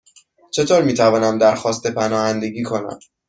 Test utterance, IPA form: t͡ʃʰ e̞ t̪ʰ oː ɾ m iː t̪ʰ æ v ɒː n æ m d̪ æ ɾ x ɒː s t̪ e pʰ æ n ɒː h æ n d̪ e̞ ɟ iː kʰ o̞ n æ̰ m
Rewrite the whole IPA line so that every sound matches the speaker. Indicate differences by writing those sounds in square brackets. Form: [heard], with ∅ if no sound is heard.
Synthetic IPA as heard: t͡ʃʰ e̞ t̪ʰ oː ɾ m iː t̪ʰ æ v ɒː n æ m d̪ æ ɾ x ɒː s t̪ e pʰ æ n ɒː h æ n d̪ e̞ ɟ iː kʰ o̞ n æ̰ m